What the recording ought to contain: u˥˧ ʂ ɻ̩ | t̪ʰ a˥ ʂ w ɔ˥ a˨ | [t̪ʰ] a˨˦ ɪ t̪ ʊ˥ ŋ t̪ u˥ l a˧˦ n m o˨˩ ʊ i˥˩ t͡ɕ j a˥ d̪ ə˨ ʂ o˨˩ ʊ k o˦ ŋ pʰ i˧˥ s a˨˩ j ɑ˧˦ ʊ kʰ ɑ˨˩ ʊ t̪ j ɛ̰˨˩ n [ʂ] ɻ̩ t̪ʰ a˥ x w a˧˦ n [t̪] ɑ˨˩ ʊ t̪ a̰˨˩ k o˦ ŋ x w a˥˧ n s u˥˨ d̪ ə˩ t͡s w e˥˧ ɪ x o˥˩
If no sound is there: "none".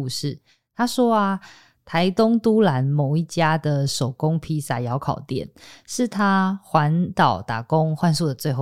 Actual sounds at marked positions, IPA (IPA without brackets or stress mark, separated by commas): t̪ʰ, ʂ, t̪